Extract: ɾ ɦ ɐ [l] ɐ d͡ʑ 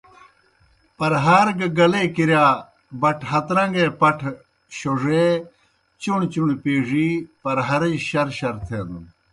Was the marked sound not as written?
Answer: yes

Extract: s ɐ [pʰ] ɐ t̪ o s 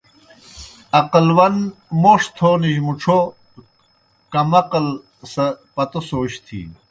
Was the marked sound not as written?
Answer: yes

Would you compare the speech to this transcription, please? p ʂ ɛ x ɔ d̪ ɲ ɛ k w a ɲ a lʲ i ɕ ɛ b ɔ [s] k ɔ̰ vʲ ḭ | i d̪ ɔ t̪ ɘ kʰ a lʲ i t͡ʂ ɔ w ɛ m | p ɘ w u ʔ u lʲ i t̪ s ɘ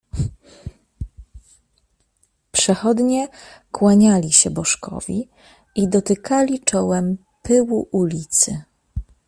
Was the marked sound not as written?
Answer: yes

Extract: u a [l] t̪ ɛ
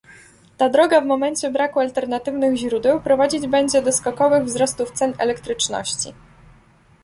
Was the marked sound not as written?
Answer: no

